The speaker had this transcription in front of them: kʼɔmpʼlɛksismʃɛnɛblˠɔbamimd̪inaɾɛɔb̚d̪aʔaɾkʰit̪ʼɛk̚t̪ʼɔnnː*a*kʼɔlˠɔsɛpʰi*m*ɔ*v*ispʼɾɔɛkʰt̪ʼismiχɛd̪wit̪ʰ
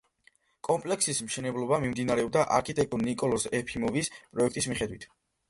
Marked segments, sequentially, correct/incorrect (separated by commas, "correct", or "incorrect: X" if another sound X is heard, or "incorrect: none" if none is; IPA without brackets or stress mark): incorrect: i, correct, correct